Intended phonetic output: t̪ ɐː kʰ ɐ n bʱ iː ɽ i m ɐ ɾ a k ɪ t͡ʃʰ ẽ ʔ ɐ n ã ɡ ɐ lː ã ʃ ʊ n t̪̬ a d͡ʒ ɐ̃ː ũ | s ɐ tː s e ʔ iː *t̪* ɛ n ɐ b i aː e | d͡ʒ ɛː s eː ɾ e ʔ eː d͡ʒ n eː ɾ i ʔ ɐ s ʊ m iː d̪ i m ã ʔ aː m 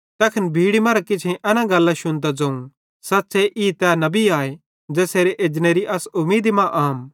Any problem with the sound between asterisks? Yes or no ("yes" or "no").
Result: no